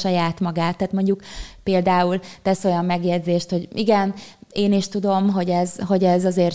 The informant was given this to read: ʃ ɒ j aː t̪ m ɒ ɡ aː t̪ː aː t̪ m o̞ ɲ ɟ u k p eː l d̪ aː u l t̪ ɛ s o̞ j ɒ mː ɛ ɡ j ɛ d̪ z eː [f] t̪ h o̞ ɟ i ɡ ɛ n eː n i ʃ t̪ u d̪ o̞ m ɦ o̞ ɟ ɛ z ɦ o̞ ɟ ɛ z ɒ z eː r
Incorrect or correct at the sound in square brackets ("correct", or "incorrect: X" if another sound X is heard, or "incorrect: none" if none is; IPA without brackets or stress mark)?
incorrect: ʃ